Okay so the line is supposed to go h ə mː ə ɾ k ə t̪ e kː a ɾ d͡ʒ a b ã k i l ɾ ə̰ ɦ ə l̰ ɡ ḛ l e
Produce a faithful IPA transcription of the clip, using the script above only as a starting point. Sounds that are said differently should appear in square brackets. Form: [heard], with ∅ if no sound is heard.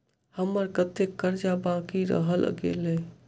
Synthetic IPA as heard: h ə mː ə ɾ k ə t̪ e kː [ə] ɾ d͡ʒ a b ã k i [∅] ɾ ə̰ ɦ ə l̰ ɡ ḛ l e